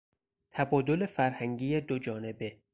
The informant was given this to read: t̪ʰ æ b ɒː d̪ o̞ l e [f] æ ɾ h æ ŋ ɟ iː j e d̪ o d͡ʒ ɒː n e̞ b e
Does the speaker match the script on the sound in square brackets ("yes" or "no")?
yes